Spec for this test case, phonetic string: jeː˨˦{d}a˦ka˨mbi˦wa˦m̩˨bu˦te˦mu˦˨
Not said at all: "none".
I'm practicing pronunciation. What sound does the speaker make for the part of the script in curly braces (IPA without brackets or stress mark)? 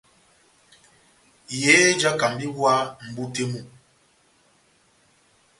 d͡ʒ